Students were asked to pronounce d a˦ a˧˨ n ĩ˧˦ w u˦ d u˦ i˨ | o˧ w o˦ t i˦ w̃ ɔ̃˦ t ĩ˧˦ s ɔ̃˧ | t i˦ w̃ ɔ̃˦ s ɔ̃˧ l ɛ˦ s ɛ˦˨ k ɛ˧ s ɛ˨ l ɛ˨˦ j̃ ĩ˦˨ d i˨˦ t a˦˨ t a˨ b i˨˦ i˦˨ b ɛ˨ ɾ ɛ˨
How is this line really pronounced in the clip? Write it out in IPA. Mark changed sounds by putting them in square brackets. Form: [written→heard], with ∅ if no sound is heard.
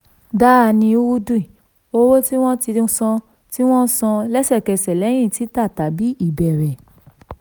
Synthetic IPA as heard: d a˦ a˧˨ n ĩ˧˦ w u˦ d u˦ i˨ | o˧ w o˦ t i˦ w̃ ɔ̃˦ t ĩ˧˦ s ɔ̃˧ | t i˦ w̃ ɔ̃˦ s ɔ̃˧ l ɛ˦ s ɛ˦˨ k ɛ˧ s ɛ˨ l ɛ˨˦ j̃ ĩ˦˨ [d→t] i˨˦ t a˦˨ t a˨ b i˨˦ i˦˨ b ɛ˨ ɾ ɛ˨